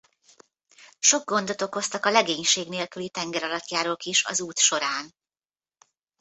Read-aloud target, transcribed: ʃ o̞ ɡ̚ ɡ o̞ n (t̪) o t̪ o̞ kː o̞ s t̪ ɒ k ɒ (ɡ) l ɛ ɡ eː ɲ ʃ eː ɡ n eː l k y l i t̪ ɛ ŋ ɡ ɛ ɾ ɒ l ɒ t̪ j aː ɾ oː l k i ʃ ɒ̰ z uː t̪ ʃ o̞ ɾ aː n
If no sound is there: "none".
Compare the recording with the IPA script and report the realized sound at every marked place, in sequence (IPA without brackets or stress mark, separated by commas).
d̪, none